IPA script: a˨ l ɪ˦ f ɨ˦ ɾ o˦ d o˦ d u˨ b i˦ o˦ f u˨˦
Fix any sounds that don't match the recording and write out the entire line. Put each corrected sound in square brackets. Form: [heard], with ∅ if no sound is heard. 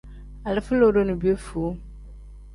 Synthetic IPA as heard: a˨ l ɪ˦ f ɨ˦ [l] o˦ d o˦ [n] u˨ b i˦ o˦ f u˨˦